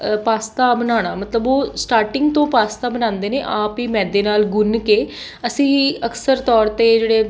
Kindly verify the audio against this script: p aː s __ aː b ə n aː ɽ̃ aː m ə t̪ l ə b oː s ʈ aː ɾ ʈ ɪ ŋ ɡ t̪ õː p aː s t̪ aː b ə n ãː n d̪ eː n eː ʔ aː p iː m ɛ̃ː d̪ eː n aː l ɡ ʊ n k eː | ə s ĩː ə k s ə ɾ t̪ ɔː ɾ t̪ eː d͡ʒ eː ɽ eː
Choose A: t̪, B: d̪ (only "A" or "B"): A